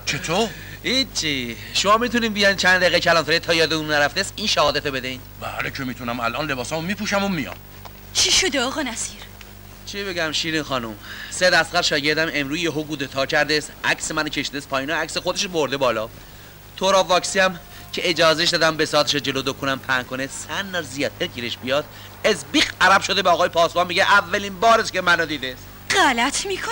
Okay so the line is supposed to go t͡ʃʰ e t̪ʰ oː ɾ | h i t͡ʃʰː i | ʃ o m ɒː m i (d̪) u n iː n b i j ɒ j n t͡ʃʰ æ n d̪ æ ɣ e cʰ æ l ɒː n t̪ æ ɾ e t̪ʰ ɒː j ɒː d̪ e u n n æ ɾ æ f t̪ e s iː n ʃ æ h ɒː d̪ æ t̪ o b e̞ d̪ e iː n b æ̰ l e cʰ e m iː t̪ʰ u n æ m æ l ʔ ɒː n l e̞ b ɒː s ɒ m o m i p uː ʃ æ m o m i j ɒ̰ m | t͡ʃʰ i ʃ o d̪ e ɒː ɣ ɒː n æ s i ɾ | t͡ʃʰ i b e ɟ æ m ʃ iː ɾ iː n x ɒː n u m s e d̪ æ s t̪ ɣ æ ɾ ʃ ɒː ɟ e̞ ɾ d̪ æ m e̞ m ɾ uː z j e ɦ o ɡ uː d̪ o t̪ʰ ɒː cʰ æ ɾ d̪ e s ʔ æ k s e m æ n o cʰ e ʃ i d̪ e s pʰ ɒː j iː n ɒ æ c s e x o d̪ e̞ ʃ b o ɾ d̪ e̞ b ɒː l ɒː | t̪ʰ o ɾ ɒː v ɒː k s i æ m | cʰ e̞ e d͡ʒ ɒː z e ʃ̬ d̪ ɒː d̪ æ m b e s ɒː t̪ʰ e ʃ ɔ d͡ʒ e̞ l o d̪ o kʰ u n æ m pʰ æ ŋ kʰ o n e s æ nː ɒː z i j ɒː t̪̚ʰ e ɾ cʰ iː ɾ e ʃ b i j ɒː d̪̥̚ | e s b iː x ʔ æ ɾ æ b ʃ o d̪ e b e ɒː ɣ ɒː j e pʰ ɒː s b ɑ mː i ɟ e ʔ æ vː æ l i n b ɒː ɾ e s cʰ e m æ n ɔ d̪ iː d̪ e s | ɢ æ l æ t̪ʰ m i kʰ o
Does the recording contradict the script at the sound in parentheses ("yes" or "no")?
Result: yes